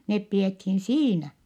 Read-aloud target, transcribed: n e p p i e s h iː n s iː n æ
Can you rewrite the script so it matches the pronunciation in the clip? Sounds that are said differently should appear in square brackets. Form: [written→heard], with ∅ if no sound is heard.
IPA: n e p p i e [s→t] h [iː→i] n s iː n æ